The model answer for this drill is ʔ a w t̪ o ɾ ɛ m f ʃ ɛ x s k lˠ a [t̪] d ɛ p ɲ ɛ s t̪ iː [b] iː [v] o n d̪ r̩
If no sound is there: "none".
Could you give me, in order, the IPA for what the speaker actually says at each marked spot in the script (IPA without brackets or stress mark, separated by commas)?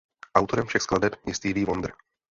none, v, v